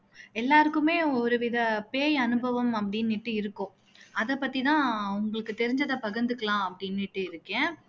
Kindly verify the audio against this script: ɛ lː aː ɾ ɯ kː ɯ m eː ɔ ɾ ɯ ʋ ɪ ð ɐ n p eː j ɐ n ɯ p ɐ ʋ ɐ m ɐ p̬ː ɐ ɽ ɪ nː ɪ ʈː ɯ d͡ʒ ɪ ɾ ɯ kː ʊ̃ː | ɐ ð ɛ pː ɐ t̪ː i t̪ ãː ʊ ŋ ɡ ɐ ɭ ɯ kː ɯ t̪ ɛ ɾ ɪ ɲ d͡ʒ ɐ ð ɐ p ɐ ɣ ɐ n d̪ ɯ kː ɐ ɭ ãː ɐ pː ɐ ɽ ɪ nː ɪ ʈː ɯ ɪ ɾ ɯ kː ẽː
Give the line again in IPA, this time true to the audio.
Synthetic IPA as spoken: ɛ lː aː ɾ ɯ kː ɯ m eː ɔ ɾ ɯ ʋ ɪ ð ɐ p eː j ɐ n ɯ b ɐ ʋ ɐ m ɐ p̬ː ɐ ɽ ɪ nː ɪ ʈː ɯ ɪ ɾ ɯ kː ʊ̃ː | ɐ ð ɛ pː ɐ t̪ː i t̪ ãː ʊ ŋ ɡ ɐ ɭ ɯ kː ɯ t̪ ɛ ɾ ɪ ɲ d͡ʒ ɐ ð ɐ p ɐ ɣ ɐ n d̪ ɯ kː ɐ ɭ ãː ɐ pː ɐ ɽ ɪ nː ɪ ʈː ɯ ɪ ɾ ɯ kː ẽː